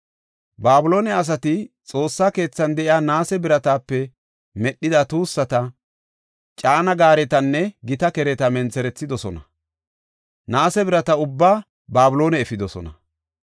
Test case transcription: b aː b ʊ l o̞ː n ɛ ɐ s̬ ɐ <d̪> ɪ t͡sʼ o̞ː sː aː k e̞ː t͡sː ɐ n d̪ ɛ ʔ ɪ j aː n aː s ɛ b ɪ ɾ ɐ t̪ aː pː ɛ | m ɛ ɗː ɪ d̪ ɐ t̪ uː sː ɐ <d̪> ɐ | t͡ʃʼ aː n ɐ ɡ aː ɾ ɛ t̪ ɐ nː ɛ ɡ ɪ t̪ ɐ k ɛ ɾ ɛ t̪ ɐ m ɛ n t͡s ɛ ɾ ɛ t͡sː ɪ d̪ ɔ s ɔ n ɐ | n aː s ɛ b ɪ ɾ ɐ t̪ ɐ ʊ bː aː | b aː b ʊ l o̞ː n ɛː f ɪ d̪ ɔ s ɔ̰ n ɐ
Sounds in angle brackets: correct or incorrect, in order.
incorrect, incorrect

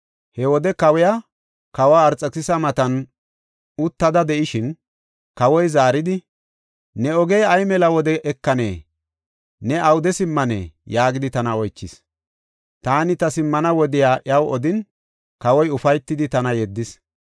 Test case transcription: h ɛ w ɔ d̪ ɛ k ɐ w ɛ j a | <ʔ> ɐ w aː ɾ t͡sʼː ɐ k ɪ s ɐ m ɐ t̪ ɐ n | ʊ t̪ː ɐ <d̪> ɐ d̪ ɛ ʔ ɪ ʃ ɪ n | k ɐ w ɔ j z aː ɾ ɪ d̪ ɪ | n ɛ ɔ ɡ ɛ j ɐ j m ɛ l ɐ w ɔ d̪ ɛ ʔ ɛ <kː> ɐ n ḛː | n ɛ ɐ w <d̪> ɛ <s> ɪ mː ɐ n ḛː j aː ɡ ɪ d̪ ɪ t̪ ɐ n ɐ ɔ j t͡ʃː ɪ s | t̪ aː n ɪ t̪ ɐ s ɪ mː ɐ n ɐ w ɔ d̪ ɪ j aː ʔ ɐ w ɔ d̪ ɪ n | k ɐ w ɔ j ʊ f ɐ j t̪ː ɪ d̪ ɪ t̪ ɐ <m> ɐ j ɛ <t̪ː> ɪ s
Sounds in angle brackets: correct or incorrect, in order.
incorrect, correct, correct, correct, correct, incorrect, incorrect

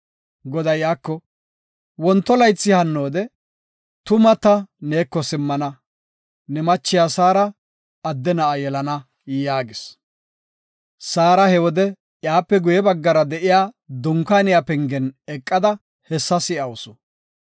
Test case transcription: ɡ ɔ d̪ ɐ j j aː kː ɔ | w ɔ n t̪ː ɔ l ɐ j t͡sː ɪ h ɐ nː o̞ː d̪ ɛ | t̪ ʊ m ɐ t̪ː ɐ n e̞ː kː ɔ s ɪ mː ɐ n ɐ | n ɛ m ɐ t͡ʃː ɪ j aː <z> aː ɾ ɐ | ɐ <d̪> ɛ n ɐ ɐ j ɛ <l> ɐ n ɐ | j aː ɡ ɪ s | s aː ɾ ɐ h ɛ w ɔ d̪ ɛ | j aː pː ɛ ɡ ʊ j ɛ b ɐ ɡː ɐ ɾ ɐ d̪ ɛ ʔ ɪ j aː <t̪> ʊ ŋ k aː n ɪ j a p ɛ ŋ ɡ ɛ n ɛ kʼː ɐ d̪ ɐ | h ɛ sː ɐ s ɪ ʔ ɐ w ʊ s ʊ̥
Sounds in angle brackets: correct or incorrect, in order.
incorrect, incorrect, correct, incorrect

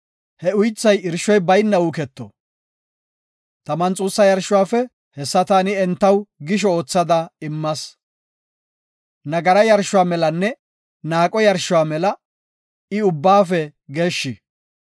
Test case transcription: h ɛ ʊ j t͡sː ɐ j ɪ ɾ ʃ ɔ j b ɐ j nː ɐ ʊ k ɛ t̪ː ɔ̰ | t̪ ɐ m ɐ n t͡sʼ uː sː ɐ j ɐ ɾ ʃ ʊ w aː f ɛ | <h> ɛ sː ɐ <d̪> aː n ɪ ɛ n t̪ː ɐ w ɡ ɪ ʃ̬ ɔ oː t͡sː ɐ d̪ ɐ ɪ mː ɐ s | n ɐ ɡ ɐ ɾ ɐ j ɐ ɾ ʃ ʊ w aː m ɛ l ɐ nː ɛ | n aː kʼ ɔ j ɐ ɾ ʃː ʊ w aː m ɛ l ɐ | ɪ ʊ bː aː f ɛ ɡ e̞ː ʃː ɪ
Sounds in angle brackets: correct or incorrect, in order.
correct, incorrect

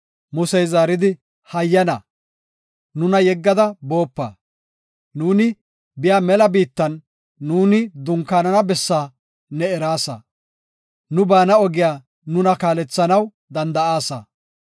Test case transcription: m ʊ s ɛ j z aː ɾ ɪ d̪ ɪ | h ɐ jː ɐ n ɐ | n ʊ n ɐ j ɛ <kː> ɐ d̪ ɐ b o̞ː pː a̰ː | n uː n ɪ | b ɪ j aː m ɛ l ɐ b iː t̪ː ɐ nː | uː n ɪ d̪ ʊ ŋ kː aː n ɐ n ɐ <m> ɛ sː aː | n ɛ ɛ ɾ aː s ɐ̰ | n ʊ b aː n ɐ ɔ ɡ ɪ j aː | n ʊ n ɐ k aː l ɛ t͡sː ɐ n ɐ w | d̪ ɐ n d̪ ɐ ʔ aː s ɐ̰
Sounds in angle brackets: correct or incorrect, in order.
incorrect, incorrect

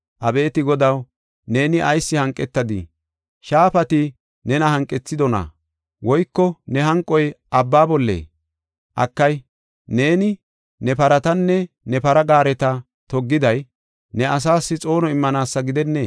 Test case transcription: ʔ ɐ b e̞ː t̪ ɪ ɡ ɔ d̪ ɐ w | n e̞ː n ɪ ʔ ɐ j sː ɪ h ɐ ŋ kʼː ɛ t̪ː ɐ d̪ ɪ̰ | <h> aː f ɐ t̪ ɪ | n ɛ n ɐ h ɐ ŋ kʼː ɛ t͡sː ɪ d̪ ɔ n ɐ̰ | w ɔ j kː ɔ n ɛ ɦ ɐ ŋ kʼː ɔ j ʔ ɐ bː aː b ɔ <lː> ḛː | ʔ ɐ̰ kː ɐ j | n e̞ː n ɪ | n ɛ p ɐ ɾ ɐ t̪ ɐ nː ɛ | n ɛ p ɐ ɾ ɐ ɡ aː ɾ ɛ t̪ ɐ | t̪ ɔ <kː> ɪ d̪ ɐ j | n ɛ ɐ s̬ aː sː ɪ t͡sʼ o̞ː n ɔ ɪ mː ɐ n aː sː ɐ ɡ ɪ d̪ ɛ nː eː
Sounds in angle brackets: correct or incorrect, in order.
incorrect, correct, incorrect

